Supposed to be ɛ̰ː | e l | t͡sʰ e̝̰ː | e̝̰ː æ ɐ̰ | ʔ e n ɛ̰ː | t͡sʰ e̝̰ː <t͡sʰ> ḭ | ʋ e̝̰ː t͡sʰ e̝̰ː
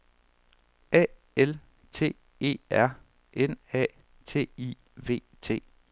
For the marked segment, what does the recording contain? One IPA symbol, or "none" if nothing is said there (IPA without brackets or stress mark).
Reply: none